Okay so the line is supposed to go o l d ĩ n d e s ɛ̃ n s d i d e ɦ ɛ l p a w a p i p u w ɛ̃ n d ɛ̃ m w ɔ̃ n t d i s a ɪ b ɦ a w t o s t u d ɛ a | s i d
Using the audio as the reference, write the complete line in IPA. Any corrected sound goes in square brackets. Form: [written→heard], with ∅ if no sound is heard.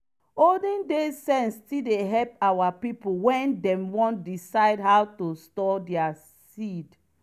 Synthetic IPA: o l d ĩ n d e s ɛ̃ n s [d→t] i d e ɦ ɛ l p a w a p i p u w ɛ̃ n d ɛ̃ m w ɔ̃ n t d i s a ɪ [b→d] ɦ a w t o s t [u→ɔ] d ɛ a | s i d